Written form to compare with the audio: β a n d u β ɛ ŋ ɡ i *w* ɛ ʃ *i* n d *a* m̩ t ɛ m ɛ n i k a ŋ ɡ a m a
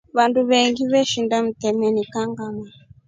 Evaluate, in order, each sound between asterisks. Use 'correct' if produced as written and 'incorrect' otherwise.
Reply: incorrect: β, correct, correct

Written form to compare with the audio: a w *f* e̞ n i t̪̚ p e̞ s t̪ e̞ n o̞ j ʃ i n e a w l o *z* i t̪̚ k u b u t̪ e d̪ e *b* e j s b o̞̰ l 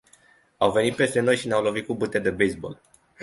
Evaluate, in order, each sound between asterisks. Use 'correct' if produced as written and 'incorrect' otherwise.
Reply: incorrect: v, incorrect: v, correct

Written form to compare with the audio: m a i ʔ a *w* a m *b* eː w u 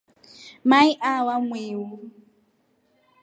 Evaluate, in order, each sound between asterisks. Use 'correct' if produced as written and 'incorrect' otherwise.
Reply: correct, incorrect: w

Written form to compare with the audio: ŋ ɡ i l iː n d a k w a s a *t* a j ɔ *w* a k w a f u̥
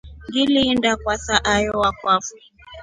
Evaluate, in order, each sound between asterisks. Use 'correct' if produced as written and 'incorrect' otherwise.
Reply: incorrect: ʔ, correct

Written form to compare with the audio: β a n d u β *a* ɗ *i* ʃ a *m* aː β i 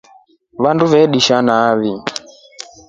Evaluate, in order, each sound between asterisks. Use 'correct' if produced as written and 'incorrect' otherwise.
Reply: incorrect: ɛ, correct, incorrect: n

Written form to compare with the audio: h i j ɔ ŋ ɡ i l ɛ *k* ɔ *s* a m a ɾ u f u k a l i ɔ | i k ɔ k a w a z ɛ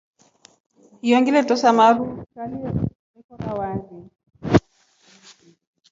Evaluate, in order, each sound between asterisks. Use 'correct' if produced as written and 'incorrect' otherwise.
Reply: incorrect: t, correct

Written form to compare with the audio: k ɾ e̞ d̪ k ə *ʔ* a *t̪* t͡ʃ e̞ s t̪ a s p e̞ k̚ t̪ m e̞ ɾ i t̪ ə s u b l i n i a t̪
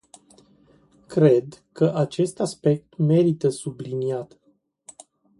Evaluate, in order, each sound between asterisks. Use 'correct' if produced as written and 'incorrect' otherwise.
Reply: correct, incorrect: none

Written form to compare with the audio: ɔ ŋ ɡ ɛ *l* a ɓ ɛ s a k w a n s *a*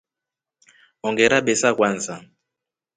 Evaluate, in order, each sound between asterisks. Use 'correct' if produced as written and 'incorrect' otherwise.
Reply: incorrect: ɾ, correct

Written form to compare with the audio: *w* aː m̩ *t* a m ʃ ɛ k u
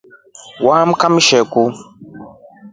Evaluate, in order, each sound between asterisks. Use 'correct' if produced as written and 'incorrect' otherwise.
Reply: correct, incorrect: k

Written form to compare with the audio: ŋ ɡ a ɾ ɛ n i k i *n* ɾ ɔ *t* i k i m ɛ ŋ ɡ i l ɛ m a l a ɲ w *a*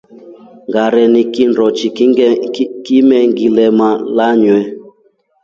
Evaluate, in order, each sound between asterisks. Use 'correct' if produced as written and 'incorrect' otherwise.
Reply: correct, incorrect: t͡ʃ, incorrect: ɛ

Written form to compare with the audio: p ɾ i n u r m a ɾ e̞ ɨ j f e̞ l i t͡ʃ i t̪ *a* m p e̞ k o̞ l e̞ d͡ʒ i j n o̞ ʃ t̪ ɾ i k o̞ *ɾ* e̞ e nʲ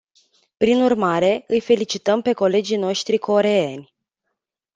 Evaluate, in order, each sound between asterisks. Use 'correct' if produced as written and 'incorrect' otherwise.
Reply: incorrect: ə, correct

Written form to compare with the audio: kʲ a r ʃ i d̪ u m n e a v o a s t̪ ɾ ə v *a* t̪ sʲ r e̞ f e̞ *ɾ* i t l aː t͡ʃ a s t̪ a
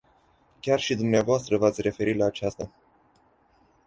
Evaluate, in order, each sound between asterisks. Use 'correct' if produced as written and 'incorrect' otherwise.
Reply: correct, correct

